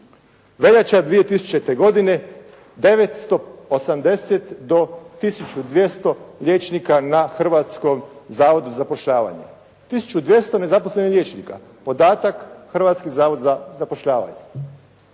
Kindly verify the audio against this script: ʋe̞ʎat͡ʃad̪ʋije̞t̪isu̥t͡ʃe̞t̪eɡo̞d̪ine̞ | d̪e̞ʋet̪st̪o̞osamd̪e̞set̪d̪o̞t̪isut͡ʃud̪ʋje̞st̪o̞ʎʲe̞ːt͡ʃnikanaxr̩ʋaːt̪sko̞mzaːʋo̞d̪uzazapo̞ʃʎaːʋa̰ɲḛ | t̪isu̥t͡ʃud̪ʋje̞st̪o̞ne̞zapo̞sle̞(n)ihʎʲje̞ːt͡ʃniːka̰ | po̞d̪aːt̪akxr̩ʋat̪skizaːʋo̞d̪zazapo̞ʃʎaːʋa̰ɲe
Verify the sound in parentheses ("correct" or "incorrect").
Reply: correct